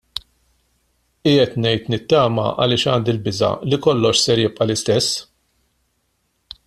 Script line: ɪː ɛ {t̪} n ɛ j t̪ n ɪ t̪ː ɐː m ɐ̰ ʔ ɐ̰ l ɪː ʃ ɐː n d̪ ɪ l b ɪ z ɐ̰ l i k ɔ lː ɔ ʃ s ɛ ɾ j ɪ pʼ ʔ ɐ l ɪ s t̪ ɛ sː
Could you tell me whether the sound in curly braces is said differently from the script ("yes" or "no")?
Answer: no